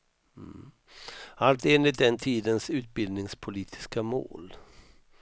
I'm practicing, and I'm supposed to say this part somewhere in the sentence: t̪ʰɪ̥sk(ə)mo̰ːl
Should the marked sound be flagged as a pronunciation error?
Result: yes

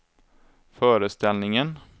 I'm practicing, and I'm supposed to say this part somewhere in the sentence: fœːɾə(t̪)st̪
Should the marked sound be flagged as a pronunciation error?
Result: yes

